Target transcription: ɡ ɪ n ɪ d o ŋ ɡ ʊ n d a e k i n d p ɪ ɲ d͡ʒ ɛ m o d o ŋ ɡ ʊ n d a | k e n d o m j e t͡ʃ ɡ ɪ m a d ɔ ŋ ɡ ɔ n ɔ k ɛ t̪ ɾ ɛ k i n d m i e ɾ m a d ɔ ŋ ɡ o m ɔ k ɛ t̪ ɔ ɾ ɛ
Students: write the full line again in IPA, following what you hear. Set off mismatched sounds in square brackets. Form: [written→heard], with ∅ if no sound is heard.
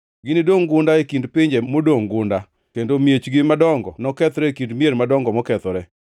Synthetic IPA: ɡ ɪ n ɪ d o ŋ ɡ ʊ n d a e k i n d p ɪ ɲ d͡ʒ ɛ m o d o ŋ ɡ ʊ n d a | k e n d o m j e t͡ʃ ɡ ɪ m a d ɔ ŋ ɡ ɔ n ɔ k ɛ t̪ ɾ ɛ k i n d m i e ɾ m a d ɔ ŋ ɡ [o→ɔ] m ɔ k ɛ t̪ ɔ ɾ ɛ